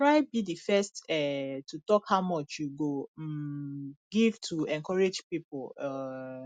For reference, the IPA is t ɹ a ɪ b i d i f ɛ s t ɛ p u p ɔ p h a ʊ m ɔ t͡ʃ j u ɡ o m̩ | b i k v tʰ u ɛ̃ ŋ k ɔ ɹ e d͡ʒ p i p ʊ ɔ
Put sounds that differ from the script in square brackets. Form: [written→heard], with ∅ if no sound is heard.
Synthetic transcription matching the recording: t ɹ a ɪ b i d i f ɛ s t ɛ [p→t] u [p→t] ɔ [p→k] h a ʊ m ɔ t͡ʃ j u ɡ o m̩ | [b→ɡ] i [k→∅] v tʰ u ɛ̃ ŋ k ɔ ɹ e d͡ʒ p i p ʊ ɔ